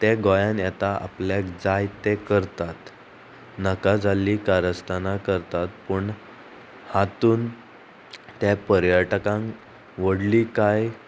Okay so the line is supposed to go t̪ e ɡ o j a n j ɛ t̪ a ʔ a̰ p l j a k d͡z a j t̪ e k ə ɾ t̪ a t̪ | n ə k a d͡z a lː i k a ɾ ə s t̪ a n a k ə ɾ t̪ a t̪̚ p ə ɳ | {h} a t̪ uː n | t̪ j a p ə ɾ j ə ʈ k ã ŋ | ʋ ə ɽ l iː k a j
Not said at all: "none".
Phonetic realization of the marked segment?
h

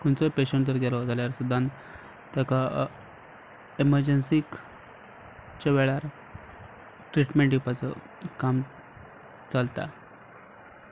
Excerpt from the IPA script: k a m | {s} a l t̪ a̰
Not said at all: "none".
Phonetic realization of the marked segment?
t͡s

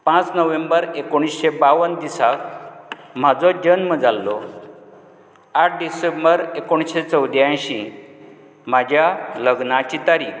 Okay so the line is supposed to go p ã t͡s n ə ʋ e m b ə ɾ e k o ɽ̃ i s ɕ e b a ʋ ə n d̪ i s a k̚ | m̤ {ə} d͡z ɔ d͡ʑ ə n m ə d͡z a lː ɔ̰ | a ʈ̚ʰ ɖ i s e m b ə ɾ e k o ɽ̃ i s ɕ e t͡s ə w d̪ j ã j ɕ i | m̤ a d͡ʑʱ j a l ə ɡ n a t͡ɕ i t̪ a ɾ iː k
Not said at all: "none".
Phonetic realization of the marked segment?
a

